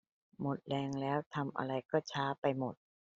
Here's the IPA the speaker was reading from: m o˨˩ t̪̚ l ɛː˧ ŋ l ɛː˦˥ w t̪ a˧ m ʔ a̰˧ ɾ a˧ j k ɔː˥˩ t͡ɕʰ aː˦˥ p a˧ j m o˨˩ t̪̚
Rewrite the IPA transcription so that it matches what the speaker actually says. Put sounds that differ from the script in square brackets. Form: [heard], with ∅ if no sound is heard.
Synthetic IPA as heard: m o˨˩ t̪̚ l ɛː˧ ŋ l ɛː˦˥ w [t̪ʰ] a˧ m ʔ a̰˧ ɾ a˧ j k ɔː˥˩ t͡ɕʰ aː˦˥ p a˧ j m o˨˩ t̪̚